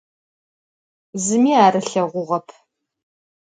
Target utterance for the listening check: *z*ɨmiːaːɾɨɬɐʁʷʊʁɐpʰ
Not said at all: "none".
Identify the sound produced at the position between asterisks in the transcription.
z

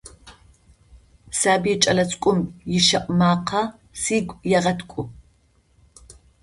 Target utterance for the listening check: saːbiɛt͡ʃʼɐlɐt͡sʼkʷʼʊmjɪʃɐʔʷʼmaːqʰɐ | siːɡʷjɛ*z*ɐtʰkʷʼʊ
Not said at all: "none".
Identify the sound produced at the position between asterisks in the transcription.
ʁ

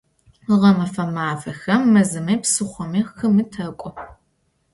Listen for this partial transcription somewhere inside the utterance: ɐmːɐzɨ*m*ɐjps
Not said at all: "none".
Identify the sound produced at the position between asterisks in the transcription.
m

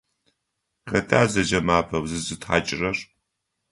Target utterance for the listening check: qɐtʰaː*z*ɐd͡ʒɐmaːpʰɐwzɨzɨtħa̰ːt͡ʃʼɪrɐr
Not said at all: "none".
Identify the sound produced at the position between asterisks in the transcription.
z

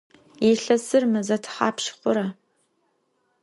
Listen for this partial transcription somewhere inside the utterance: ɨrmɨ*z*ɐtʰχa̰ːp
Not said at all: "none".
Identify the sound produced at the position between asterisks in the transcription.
z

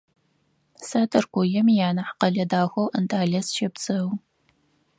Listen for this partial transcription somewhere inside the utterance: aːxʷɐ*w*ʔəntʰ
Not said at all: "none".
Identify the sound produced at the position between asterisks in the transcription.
w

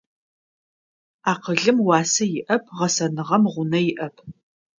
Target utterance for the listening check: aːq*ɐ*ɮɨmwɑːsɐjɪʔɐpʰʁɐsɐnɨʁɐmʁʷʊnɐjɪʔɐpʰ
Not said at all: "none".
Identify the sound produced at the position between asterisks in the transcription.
ə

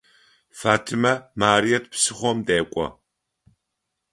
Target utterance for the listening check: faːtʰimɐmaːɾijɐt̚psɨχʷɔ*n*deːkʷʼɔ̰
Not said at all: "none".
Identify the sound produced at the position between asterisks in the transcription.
m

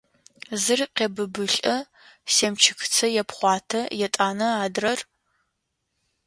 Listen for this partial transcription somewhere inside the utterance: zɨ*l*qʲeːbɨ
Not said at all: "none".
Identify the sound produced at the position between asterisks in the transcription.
r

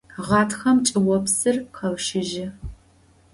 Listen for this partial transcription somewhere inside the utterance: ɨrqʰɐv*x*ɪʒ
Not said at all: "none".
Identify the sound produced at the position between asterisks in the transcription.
ʃ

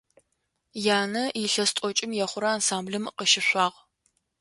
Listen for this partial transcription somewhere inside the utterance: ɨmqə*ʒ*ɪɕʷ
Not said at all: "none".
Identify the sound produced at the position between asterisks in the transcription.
ʃ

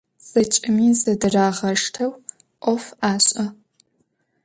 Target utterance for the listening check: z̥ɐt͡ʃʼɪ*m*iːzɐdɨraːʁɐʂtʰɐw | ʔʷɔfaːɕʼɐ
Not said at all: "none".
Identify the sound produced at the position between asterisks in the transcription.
m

